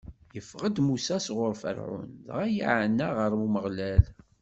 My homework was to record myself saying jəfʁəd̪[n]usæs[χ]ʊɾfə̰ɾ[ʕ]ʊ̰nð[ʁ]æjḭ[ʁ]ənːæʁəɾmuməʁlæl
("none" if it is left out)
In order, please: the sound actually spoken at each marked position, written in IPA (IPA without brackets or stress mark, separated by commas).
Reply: m, ʁ, ʕ, ʁ, ʕ